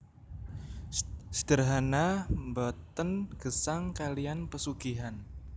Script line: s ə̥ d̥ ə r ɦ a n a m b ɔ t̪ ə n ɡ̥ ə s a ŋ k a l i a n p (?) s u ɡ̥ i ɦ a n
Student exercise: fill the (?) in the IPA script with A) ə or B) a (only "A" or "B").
A